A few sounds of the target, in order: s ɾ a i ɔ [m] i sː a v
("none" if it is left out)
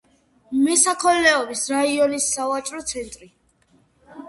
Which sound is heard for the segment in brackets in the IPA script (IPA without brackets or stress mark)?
n